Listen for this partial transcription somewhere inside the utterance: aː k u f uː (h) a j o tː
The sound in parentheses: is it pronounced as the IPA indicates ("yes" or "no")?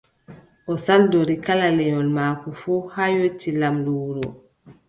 yes